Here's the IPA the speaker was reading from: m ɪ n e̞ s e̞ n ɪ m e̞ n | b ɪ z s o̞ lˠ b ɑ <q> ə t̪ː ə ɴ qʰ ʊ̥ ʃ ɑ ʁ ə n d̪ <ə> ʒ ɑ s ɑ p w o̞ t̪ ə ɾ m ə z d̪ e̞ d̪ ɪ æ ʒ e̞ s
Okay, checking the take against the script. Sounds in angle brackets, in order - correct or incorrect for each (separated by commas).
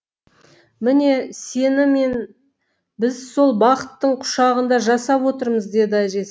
correct, incorrect